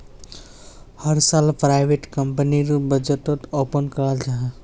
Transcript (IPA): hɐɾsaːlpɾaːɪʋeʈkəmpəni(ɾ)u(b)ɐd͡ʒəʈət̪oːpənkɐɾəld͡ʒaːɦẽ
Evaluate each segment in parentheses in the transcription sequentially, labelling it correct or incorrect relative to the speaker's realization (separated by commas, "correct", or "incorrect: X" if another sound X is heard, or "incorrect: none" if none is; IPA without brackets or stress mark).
correct, correct